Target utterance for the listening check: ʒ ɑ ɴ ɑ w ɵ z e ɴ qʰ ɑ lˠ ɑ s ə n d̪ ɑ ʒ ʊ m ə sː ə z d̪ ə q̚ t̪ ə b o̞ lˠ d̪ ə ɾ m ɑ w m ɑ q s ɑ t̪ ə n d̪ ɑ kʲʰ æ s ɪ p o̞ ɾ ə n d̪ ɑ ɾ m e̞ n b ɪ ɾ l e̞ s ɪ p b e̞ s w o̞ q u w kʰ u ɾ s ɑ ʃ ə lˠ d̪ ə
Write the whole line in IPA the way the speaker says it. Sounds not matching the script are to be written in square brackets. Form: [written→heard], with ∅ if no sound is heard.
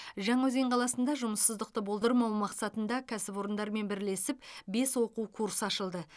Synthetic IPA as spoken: ʒ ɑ ɴ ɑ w ɵ z e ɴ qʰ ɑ lˠ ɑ s ə n d̪ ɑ ʒ ʊ m ə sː ə z d̪ ə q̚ t̪ ə b o̞ lˠ d̪ ə ɾ m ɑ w m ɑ q s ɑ t̪ ə n d̪ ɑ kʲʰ æ s ɪ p o̞ ɾ ə n d̪ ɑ ɾ m e̞ n b ɪ ɾ l e̞ s ɪ p b e̞ s w o̞ q u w kʰ u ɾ s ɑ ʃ ə lˠ d̪ ə